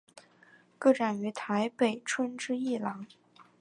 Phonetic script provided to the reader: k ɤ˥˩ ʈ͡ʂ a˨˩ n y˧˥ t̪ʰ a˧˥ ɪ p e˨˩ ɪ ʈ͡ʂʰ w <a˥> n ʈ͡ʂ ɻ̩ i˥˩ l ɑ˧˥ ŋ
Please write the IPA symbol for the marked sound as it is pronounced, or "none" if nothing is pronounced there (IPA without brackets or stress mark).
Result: ə˥